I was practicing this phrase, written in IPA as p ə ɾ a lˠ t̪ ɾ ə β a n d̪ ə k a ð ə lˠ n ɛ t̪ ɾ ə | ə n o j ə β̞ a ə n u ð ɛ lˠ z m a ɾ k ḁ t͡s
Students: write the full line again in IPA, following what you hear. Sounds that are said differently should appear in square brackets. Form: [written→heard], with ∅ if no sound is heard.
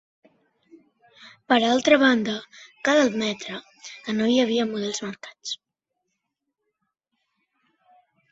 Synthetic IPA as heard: p ə ɾ a lˠ t̪ ɾ ə β a n d̪ ə k a ð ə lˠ [n→m] ɛ t̪ ɾ ə | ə n o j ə β̞ [a→i] ə [n→m] u ð ɛ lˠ z m [a→ə] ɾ k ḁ t͡s